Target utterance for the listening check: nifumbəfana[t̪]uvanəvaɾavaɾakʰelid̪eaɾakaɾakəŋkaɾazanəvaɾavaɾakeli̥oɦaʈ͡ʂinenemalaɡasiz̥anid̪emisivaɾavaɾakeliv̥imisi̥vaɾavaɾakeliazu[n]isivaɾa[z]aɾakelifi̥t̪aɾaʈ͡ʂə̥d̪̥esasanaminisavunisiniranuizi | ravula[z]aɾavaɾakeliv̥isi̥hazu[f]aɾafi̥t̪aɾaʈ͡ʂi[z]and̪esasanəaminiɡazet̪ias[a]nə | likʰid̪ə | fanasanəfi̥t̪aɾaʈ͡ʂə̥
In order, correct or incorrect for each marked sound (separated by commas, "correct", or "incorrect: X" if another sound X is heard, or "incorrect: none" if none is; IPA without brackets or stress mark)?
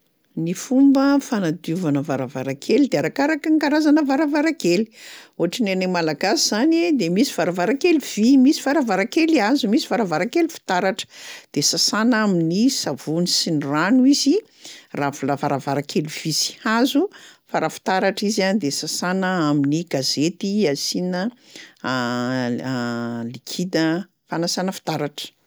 incorrect: d̪, incorrect: m, incorrect: v, incorrect: v, correct, correct, incorrect: i